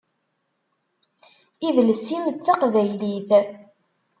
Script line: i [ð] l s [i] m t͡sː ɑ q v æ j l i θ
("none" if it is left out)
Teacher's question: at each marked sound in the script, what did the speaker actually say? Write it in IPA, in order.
ð, i

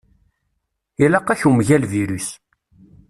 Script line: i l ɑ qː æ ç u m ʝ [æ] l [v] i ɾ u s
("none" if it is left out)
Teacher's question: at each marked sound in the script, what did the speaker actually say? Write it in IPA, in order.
æ, v

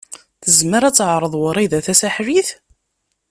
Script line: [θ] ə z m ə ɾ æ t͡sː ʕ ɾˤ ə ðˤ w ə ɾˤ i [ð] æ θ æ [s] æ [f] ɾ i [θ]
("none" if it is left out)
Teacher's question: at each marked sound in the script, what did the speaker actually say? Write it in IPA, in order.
θ, ð, s, ħ, θ

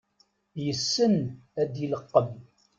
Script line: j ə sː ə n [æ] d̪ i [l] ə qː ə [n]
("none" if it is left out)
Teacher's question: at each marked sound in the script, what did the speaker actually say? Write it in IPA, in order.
æ, l, m

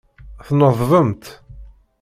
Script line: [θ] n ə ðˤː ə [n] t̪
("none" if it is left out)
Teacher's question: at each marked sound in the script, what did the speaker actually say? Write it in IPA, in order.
θ, m

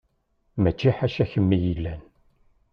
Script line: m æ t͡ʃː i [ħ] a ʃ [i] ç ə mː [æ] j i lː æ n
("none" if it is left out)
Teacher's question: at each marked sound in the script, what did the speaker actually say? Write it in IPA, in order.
ħ, æ, i

